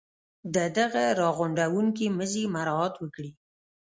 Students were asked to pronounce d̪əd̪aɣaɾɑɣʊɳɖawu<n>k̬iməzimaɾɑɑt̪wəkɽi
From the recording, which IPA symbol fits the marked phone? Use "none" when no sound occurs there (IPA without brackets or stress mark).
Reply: ŋ